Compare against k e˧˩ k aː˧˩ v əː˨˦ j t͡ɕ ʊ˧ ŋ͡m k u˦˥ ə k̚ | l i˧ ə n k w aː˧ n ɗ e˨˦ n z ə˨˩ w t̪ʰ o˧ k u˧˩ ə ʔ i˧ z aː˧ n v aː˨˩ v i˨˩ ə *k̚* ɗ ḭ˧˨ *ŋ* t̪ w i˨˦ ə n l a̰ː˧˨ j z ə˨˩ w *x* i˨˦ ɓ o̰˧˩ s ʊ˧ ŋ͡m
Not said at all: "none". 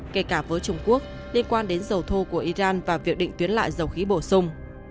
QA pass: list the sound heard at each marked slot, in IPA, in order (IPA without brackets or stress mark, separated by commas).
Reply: k̚, ŋ, x